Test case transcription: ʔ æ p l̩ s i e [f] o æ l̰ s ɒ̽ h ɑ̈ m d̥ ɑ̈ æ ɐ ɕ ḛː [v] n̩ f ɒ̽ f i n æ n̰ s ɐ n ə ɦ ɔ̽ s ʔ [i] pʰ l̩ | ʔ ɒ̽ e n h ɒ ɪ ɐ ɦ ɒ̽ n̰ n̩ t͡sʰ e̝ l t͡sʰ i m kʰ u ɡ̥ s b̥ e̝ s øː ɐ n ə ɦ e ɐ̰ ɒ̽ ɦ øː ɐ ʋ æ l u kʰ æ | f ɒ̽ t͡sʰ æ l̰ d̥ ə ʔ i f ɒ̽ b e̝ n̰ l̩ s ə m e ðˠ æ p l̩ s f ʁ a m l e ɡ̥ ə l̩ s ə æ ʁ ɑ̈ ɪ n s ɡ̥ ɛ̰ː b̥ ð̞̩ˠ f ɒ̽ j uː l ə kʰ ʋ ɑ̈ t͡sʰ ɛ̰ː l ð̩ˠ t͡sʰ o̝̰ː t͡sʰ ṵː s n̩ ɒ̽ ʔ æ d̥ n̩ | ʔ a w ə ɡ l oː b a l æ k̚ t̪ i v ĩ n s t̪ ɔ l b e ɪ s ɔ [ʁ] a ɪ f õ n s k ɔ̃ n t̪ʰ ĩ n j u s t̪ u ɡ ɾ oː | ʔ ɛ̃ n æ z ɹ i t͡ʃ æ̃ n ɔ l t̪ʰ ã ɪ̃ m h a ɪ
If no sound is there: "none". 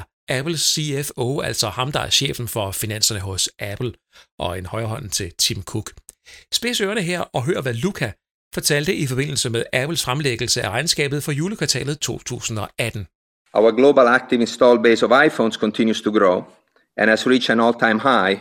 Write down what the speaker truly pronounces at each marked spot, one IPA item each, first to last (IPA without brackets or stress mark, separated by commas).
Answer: f, f, æ, v